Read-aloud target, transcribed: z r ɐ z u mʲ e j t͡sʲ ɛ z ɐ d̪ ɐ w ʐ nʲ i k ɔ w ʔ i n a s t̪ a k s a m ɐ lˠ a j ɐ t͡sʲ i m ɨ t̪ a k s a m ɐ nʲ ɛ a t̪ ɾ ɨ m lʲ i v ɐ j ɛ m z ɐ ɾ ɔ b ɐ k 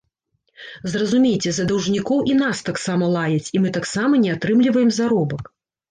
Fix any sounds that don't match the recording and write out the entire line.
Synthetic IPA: z r ɐ z u mʲ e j t͡sʲ ɛ z ɐ d̪ ɐ w ʐ nʲ i k ɔ w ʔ i n a s t̪ a k s a m ɐ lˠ a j ɐ t͡sʲ i m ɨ t̪ a k s a m ɐ nʲ ɛ a t̪ ɾ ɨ m lʲ i v ɐ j ɛ m z a ɾ ɔ b ɐ k